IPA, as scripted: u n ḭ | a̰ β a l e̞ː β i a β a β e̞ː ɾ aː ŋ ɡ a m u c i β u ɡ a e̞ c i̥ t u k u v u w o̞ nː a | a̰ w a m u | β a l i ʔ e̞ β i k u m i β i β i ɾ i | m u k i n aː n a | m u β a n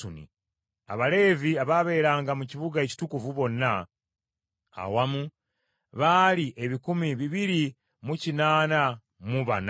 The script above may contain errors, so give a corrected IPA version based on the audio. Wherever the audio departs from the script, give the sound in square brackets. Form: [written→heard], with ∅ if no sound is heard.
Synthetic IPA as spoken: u n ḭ | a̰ β a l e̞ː [β→v] i a β a β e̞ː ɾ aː ŋ ɡ a m u c i β u ɡ a e̞ c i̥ t u k u v u [w→β] o̞ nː a | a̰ w a m u | β a l i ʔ e̞ β i k u m i β i β i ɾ i | m u [k→c] i n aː n a | m u β a n